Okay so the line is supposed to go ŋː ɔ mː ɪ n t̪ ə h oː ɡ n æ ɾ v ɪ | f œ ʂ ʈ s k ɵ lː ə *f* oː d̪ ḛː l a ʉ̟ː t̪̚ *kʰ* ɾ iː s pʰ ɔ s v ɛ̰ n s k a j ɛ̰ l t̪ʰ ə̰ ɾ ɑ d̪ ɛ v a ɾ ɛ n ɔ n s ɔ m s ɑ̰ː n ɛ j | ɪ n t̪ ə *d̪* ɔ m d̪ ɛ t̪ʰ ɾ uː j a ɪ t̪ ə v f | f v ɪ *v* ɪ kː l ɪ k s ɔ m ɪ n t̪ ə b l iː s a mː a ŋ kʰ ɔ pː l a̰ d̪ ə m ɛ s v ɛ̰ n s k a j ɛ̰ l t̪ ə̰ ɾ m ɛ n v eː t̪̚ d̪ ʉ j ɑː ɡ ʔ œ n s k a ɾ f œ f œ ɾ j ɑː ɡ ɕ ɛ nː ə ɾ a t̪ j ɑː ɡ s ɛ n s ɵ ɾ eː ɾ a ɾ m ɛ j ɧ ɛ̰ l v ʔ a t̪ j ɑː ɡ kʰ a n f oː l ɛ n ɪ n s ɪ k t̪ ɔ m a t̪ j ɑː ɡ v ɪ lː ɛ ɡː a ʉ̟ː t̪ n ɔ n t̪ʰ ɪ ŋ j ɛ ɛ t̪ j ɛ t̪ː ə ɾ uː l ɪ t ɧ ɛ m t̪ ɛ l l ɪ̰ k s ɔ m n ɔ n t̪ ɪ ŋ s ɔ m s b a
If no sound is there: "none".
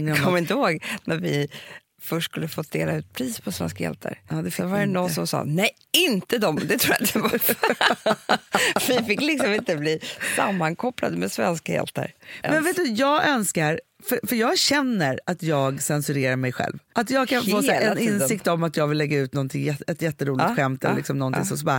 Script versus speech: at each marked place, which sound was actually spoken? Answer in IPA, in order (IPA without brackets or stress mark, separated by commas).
f, pʰ, d̪, f